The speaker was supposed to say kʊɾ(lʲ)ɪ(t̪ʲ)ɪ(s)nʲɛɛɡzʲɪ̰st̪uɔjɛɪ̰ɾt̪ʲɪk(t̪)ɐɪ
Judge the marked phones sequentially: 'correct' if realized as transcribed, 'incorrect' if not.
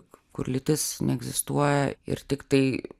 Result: correct, correct, correct, correct

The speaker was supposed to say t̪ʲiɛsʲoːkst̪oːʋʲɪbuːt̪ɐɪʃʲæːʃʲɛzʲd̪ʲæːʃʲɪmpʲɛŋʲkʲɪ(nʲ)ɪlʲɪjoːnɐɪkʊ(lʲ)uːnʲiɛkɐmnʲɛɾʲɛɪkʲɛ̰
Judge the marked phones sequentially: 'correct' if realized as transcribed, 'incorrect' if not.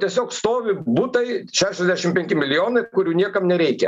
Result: incorrect, incorrect

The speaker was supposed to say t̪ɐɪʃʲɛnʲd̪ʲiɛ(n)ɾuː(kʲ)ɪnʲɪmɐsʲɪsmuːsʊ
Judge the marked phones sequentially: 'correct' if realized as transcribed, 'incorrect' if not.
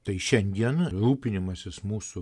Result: correct, incorrect

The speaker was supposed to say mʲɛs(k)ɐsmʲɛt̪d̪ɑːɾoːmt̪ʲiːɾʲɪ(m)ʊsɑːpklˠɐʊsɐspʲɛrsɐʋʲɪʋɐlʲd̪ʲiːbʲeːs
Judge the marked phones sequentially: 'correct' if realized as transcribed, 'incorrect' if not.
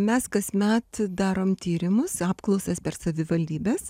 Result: correct, correct

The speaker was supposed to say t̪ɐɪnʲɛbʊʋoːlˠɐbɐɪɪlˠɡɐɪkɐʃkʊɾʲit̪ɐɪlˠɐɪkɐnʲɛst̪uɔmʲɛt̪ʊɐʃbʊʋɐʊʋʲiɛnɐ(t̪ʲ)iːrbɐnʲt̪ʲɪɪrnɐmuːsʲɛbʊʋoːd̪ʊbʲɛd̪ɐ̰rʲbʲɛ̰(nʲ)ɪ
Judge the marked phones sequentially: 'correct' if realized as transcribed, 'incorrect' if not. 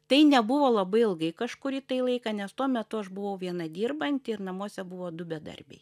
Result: incorrect, incorrect

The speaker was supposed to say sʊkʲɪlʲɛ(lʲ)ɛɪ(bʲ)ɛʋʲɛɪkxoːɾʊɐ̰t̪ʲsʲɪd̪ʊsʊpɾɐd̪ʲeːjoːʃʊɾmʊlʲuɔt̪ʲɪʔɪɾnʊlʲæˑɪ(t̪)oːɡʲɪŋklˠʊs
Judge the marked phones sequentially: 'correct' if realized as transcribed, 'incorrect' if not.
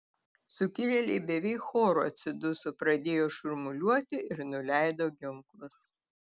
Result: correct, correct, incorrect

